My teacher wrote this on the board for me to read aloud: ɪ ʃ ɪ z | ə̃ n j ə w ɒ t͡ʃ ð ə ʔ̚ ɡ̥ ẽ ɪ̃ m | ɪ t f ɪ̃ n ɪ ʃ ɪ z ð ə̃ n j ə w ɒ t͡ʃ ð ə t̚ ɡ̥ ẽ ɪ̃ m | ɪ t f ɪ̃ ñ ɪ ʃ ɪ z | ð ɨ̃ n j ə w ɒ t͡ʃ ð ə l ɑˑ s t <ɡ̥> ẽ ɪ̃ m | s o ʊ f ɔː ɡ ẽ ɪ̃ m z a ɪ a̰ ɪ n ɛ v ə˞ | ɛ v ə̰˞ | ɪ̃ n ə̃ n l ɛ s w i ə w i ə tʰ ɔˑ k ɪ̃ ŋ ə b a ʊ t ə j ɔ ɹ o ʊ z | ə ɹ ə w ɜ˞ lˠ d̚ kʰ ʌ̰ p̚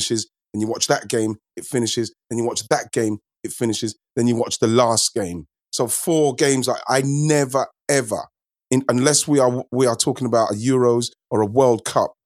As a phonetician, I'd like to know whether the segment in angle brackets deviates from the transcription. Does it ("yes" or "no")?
no